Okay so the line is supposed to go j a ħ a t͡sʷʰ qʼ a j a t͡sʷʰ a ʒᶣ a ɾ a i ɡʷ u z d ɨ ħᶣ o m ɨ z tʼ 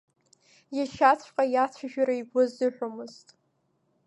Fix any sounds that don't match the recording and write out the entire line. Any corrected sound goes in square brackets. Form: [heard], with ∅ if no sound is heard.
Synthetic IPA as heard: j a [ʃ] a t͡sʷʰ qʼ a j a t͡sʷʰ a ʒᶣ a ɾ a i ɡʷ [ʊ] z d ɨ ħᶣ o m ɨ z tʼ